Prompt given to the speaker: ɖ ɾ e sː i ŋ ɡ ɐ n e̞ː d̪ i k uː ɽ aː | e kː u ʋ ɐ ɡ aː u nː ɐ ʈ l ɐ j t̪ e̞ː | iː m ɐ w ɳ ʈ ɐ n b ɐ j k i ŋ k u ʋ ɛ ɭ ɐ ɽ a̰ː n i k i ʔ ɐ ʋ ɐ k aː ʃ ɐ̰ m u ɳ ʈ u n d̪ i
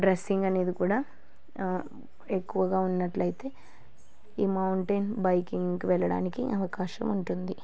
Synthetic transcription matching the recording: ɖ ɾ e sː i ŋ ɡ ɐ n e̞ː d̪ i k uː ɽ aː | e kː u ʋ ɐ ɡ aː u nː ɐ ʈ l ɐ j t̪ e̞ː | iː m ɐ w ɳ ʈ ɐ n b ɐ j k i ŋ k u ʋ ɛ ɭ ɐ ɽ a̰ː n i k i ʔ ɐ ʋ ɐ k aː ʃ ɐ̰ m u ɳ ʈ u n d̪ i